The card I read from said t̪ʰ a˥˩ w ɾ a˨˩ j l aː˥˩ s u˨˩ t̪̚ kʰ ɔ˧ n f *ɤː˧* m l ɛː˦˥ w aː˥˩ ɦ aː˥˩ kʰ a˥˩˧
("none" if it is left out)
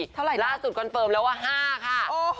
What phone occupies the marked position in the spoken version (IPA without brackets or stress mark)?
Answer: ɤː˧